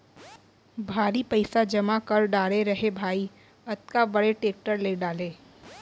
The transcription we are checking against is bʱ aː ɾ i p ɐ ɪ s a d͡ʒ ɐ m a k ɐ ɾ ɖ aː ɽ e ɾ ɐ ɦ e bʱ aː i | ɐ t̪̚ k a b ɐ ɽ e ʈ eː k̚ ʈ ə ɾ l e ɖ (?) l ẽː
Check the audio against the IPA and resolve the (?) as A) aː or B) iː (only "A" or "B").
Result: A